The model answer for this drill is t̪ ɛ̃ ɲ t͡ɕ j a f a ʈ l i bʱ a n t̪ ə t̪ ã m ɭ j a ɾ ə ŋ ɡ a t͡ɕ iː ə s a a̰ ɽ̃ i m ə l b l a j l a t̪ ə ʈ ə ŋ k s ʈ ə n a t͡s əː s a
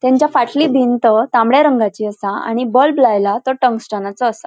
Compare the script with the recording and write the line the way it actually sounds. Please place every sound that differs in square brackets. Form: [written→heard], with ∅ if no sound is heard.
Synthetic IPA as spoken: t̪ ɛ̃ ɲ t͡ɕ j a f a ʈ l i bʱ [a→i] n t̪ ə t̪ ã m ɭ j a ɾ ə ŋ ɡ a t͡ɕ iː ə s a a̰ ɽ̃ i [m→b] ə l b l a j l a t̪ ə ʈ ə ŋ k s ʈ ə n a t͡s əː s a